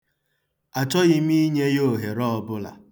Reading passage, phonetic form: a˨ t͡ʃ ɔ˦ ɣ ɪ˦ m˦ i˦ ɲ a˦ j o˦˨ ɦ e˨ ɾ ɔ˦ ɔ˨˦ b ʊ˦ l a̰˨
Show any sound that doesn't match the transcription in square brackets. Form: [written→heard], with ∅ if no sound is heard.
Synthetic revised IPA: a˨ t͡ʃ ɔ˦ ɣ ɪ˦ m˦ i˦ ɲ [a˦→e˦] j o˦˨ ɦ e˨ ɾ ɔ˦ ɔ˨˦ b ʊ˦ l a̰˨